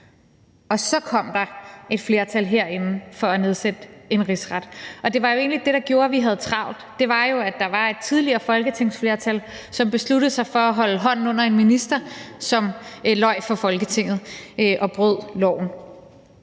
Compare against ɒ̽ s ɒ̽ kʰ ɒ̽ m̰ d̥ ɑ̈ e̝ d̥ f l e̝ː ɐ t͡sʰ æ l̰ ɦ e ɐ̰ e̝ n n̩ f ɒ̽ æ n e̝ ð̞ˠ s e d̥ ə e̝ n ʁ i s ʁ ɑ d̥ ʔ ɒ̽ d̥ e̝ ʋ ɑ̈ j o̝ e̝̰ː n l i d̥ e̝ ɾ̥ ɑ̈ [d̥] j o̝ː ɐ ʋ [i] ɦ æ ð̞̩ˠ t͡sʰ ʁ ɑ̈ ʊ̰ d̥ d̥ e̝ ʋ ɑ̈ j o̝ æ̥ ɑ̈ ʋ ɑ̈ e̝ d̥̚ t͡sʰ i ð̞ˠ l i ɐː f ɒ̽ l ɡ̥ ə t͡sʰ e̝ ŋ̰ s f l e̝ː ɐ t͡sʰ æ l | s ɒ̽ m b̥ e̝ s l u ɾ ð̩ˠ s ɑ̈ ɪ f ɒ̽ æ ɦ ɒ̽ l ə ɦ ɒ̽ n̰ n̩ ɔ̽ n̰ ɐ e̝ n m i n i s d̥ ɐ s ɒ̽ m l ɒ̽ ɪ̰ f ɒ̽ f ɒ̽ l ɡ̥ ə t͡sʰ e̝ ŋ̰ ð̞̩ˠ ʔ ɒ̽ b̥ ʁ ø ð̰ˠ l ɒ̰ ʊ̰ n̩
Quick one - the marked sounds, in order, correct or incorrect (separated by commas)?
incorrect, correct